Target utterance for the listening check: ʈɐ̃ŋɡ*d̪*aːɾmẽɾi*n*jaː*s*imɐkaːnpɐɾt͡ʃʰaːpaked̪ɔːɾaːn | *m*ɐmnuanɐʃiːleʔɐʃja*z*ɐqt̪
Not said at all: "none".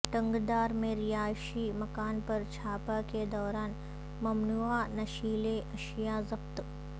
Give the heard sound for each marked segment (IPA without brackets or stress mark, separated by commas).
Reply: d̪, none, ʃ, m, z